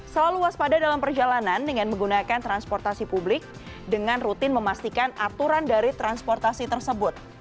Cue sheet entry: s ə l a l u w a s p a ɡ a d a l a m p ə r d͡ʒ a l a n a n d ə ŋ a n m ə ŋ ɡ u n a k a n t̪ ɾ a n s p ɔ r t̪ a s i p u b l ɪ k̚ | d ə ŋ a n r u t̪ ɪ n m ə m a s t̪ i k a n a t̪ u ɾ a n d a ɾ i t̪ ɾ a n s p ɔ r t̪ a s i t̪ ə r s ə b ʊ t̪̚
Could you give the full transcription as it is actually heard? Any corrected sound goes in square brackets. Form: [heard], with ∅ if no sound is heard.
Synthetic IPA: s ə l a l u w a s p a [d] a d a l a m p ə r d͡ʒ a l a n a n d ə ŋ a n m ə ŋ ɡ u n a k a n t̪ ɾ a n s p ɔ r t̪ a s i p u b l ɪ k̚ | d ə ŋ a n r u t̪ ɪ n m ə m a s t̪ i k a n a t̪ u ɾ a n d a ɾ i t̪ ɾ a n s p ɔ r t̪ a s i t̪ ə r s ə b ʊ t̪̚